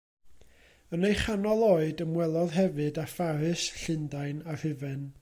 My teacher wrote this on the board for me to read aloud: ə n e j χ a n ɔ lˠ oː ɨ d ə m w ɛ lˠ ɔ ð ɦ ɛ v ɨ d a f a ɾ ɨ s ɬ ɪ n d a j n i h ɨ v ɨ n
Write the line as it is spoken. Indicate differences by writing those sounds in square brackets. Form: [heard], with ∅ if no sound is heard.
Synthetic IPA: ə n e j χ a n ɔ lˠ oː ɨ d ə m w ɛ lˠ ɔ ð ɦ ɛ v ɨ d a f a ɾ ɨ s ɬ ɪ n d a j n [a] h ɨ v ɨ n